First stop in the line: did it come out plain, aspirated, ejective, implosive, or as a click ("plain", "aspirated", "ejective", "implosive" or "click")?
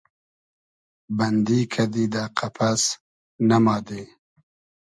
plain